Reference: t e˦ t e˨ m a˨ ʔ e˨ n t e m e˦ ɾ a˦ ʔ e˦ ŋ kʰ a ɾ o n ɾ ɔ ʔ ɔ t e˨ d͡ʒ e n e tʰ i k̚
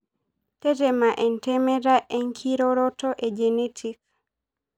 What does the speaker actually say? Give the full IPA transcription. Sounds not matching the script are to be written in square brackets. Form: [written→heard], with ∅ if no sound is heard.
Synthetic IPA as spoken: t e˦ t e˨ m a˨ ʔ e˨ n t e m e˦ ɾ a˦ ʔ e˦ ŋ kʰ [a→i] ɾ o [n→∅] ɾ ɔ [ʔ→t] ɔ [t→ʔ] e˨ d͡ʒ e n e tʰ i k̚